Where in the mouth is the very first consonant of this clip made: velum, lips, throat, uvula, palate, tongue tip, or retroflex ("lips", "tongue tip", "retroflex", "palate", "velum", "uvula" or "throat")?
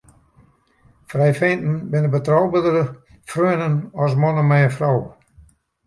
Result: lips